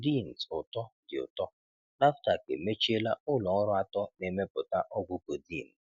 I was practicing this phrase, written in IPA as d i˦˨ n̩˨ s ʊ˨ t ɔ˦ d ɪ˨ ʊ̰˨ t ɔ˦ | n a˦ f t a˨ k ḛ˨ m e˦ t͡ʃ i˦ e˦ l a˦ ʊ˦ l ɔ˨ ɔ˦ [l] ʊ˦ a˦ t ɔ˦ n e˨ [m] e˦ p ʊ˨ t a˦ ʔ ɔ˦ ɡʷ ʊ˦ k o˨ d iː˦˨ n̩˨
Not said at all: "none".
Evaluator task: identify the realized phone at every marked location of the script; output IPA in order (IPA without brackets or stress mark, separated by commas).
ɾ, m